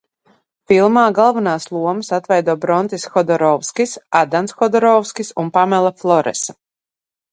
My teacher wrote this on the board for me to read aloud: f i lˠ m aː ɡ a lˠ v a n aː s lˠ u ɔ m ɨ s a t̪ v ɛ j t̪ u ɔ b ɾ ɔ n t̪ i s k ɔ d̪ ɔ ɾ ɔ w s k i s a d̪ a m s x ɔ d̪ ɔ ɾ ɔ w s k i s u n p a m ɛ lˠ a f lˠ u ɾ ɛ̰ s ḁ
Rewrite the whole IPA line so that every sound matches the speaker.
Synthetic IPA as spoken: f i lˠ m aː ɡ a lˠ v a n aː s lˠ u ɔ m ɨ s a t̪ v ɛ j d̪ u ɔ b ɾ ɔ n t̪ i s x ɔ d̪ ɔ ɾ ɔ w s k i s a d̪ a n s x ɔ d̪ ɔ ɾ ɔ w s k i s u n p a m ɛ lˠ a f lˠ ɔ ɾ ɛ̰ s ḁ